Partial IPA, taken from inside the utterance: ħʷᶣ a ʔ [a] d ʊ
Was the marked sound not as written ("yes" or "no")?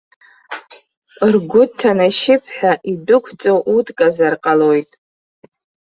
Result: yes